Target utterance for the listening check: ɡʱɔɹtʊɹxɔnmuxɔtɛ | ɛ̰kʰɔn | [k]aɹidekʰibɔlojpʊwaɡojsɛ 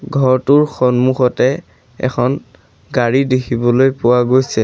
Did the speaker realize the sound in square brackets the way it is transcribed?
no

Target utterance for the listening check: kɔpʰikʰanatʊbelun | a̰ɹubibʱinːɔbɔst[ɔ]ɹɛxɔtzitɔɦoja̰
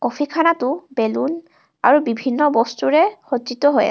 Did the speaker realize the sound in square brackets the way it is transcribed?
no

